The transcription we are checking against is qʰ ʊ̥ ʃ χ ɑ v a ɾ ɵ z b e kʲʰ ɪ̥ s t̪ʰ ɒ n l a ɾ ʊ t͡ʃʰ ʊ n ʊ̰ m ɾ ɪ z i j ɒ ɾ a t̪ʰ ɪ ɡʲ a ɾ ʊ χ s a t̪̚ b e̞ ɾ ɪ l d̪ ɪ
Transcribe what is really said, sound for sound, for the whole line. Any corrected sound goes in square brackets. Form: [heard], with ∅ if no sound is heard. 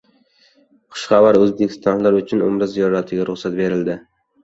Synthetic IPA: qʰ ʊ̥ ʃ χ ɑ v a ɾ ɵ z b e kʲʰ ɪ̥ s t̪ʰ ɒ n l a ɾ ʊ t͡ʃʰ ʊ n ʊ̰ m ɾ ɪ z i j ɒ ɾ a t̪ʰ ɪ ɡʲ a ɾ ʊ χ s a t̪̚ b e̞ ɾ ɪ l d̪ ɪ